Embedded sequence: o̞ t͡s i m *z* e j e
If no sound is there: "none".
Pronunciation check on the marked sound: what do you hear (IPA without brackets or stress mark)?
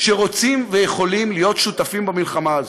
v